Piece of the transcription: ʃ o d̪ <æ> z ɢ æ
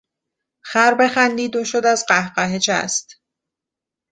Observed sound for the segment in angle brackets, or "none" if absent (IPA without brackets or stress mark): æ